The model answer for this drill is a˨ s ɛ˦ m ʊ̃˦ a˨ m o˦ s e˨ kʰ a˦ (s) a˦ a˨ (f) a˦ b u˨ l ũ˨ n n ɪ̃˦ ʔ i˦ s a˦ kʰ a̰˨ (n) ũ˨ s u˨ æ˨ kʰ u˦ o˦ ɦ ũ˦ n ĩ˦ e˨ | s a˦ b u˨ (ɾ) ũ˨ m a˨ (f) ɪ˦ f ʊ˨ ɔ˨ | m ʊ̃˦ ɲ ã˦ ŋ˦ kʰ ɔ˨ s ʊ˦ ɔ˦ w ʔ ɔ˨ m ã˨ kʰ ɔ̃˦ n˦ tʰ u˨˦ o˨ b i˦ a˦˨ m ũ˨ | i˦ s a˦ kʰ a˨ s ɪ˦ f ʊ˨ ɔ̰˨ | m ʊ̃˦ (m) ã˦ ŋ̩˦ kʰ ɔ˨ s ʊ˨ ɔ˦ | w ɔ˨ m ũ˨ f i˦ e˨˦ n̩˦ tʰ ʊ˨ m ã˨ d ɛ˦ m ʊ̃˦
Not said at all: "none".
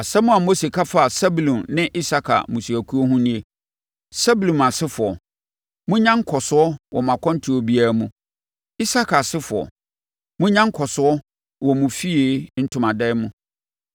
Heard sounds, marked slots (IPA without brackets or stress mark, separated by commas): f, s, m, l, s, ɲ